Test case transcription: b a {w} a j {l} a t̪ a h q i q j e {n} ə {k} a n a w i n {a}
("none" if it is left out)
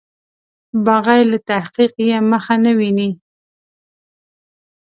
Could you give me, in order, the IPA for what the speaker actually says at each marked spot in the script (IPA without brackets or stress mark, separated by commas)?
ɣ, l, m, x, i